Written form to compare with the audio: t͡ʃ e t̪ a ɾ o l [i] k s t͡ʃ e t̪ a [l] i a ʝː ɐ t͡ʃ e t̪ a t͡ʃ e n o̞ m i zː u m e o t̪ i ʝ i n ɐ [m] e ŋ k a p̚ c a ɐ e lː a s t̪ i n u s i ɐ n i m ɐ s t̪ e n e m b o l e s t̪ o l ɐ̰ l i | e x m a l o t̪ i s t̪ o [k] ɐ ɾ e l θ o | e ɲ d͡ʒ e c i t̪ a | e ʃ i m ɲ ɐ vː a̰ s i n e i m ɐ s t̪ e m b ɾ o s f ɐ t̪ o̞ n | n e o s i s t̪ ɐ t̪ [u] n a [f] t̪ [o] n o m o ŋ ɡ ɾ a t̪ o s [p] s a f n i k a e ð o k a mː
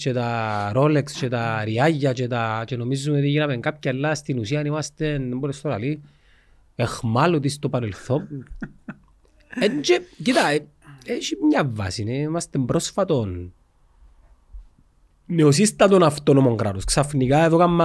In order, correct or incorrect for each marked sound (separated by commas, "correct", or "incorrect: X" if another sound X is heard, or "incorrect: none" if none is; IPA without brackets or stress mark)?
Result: incorrect: e, incorrect: ɾ, correct, incorrect: p, incorrect: o, correct, correct, incorrect: k